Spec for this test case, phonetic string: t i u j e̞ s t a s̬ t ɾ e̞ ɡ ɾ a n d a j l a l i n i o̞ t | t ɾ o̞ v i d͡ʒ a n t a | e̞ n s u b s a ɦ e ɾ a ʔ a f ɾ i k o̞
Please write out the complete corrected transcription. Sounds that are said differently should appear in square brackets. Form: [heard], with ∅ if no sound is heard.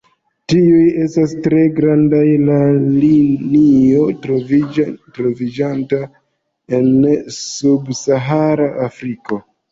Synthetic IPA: t i u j e̞ s t a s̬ t ɾ e̞ ɡ ɾ a n d a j l a l i n i o̞ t | t ɾ o̞ v i d͡ʒ a n t a | e̞ n s u b s a ɦ [a] ɾ a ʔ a f ɾ i k o̞